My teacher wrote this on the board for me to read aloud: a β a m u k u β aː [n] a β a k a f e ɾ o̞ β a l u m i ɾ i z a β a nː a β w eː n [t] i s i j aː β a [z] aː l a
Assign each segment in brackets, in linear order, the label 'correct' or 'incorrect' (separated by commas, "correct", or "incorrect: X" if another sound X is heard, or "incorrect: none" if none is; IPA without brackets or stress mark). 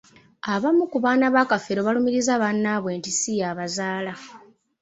correct, correct, correct